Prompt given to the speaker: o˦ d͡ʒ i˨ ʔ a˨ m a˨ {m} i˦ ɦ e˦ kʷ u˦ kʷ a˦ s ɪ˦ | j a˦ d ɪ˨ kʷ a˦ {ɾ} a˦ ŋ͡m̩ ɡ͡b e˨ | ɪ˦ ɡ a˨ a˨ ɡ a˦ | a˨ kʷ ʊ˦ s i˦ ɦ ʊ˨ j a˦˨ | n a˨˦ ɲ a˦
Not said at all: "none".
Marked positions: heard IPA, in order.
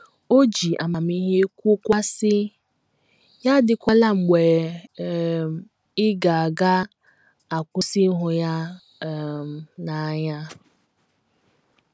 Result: m, l

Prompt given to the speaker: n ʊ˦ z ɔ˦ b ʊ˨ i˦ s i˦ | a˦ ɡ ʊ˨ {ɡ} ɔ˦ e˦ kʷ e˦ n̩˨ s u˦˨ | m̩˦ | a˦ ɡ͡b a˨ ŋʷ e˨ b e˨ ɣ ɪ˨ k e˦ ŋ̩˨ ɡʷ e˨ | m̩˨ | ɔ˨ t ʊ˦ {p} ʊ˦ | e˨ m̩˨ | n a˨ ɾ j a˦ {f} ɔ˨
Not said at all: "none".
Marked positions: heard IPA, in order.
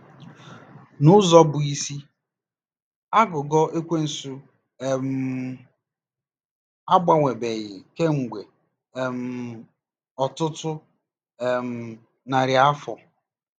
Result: ɡ, t, f

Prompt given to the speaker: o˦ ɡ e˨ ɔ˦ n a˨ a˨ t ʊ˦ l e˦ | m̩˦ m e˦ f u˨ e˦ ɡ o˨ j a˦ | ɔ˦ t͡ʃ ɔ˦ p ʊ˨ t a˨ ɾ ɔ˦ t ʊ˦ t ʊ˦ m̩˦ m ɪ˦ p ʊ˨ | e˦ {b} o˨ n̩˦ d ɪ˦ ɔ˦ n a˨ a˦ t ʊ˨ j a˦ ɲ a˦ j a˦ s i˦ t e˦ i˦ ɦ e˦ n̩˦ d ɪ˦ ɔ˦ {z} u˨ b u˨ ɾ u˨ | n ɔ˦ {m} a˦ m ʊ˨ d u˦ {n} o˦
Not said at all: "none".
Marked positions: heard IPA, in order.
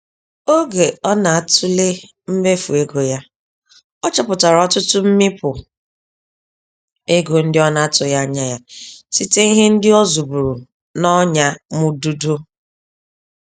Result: ɡ, z, ɲ, d

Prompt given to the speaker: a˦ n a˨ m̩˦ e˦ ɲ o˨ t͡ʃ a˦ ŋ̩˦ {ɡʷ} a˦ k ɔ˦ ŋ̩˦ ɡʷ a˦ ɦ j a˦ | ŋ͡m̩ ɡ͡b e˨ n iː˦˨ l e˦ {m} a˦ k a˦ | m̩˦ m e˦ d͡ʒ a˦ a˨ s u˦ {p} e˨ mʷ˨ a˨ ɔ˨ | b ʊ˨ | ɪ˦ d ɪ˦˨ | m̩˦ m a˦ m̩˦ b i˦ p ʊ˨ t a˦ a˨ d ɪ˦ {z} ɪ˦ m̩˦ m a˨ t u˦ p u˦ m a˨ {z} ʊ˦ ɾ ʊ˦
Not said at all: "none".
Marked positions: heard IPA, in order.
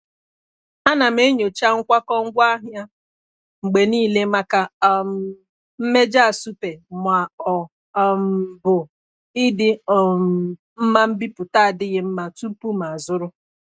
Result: kʷ, m, p, ɣ, z

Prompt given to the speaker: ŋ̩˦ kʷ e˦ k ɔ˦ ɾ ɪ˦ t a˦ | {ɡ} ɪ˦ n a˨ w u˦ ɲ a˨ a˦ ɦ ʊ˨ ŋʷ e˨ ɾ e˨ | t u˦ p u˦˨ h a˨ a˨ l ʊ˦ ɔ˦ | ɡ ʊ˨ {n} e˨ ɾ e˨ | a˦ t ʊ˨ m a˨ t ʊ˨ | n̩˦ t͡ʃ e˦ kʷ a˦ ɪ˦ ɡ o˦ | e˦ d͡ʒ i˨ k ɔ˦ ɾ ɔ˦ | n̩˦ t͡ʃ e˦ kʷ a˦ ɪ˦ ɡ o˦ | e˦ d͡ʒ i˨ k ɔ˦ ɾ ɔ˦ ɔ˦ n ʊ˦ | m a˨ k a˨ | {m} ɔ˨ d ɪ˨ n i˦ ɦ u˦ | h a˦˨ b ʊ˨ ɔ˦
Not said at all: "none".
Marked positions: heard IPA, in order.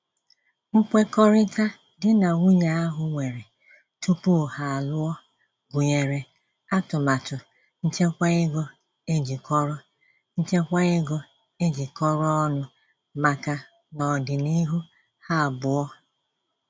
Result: d, ɲ, n

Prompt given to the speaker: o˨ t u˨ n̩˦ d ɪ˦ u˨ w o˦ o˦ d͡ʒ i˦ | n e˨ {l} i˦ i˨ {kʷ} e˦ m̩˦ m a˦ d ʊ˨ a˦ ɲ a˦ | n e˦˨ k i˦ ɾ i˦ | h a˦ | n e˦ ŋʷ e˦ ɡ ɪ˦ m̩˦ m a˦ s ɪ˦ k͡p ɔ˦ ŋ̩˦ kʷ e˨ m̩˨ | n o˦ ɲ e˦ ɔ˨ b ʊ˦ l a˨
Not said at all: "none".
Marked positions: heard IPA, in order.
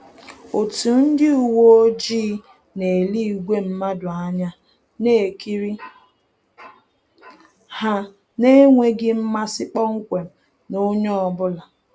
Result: l, ɡʷ

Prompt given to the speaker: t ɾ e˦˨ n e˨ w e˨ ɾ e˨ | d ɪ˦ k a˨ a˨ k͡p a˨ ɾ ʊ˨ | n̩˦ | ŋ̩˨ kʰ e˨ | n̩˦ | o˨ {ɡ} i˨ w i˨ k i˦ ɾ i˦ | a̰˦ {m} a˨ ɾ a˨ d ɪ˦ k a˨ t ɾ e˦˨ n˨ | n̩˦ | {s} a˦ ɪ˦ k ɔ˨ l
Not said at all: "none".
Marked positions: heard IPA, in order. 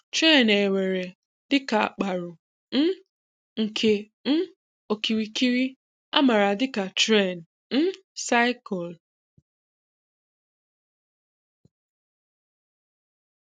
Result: k, m, s

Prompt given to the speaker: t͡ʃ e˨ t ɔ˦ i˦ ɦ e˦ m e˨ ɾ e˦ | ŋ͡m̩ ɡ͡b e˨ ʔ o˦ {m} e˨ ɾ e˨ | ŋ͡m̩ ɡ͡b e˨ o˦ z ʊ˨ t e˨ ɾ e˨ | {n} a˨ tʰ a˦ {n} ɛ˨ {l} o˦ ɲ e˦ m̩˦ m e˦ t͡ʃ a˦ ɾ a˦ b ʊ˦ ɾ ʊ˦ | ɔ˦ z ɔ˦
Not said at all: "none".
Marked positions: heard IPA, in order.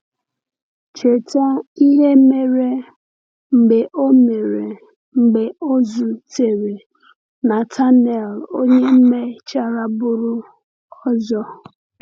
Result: m, n, n, l

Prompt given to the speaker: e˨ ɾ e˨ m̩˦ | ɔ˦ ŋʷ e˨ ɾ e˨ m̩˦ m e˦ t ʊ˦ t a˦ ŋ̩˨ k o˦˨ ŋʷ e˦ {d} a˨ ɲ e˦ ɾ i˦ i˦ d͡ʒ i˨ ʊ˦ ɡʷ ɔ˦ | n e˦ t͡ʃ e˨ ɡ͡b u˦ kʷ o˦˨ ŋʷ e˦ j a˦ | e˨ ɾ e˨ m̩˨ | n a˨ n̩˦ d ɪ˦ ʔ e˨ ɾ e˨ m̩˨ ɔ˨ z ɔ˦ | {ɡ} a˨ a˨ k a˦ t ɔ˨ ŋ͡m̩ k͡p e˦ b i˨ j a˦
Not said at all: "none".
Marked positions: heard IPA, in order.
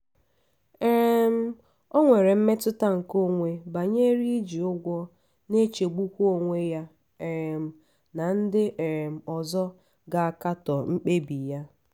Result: b, ɡ

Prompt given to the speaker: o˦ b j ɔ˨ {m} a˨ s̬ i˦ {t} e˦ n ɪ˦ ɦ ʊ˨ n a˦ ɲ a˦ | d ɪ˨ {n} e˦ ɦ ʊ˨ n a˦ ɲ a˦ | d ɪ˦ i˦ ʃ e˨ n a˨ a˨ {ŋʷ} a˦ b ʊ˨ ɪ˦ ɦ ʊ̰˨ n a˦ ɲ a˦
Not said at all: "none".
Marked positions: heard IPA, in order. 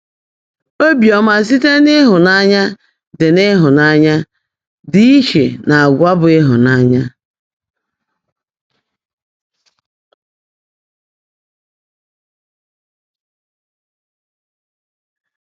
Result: m, t, n, ɡʷ

